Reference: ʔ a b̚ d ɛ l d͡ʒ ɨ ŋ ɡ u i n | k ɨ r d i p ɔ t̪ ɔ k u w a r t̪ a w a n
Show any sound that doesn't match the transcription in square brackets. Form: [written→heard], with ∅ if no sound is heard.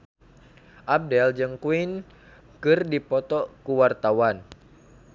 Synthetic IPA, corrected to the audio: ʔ a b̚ d ɛ l d͡ʒ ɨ ŋ [ɡ→k] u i n | k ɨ r d i p ɔ t̪ ɔ k u w a r t̪ a w a n